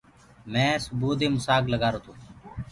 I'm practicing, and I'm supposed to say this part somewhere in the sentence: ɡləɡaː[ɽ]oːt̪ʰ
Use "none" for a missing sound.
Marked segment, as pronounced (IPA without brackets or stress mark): ɾ